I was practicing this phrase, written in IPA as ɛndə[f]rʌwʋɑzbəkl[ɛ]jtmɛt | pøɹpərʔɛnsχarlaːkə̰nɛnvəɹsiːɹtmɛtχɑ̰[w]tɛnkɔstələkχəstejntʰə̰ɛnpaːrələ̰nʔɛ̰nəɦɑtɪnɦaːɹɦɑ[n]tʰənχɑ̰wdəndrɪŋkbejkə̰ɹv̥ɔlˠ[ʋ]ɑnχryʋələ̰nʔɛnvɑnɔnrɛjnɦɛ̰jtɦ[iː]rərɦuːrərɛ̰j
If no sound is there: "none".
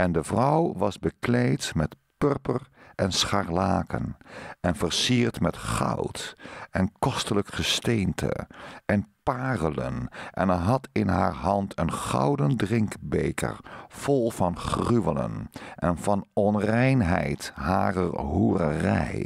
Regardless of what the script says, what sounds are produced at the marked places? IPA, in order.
v, e, w, n, v, aː

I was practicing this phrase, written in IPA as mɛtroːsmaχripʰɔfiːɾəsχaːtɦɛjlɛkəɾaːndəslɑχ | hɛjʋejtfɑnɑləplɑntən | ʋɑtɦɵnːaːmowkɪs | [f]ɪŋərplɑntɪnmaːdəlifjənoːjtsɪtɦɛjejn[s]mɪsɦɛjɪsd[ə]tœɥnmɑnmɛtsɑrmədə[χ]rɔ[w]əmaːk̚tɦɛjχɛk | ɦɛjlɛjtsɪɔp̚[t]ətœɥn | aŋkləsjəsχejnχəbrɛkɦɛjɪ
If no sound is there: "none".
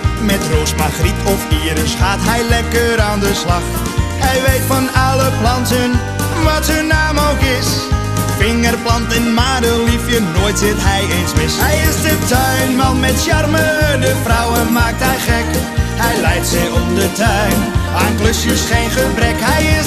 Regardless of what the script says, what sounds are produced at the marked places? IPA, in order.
f, s, ə, f, w, d

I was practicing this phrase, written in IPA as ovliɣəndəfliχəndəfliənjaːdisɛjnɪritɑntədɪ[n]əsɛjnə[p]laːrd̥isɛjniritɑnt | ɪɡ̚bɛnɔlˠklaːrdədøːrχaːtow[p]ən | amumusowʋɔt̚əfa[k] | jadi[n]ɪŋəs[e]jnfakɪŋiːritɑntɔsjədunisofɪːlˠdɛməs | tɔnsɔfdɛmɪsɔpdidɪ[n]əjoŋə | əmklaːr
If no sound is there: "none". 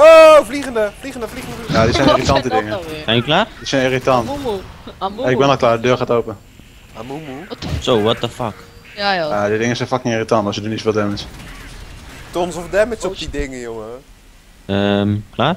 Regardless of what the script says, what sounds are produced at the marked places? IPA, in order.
ŋ, k, p, k, d, ɛ, ŋ

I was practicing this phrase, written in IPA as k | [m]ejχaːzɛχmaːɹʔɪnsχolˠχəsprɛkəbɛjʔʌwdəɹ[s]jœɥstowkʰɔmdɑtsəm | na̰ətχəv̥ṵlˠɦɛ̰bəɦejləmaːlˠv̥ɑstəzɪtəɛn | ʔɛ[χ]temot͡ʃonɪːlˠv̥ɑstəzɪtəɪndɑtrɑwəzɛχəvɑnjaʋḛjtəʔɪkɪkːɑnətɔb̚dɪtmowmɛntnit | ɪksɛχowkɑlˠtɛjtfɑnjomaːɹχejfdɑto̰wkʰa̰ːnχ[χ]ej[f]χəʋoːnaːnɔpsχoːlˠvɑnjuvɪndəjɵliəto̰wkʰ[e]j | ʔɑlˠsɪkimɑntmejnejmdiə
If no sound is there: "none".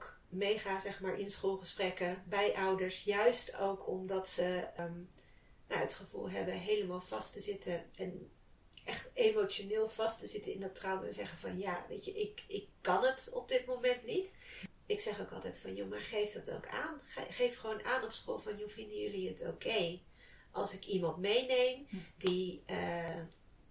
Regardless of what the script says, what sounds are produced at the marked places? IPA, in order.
m, s, χ, χ, f, e

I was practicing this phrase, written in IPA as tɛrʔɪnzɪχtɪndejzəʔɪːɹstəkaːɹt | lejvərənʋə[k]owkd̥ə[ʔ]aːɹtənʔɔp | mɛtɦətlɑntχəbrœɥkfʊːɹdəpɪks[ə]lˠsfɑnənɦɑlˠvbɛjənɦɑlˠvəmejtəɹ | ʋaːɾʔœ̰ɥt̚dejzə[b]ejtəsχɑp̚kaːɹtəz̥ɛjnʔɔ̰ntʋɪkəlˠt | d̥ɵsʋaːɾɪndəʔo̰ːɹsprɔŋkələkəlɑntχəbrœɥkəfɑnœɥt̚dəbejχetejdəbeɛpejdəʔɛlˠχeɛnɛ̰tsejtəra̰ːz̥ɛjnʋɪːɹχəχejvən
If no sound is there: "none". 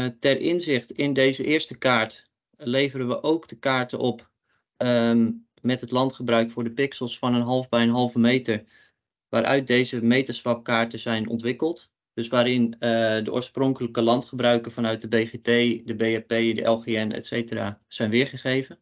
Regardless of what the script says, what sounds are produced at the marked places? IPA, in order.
ʔ, k, ə, m

